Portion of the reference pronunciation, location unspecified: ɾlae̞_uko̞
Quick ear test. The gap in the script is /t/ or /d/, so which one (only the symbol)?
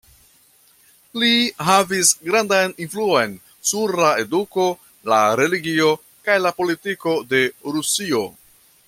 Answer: d